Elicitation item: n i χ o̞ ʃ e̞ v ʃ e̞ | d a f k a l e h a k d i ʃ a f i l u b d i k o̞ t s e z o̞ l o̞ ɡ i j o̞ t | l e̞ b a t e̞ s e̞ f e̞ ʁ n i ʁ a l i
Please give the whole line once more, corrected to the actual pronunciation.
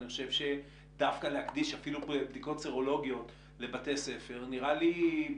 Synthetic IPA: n i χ o̞ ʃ e̞ v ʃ e̞ | d a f k a l e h a k d i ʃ a f i l u b d i k o̞ t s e ʁ o̞ l o̞ ɡ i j o̞ t | l e̞ b a t e̞ s e̞ f e̞ ʁ n i ʁ a l i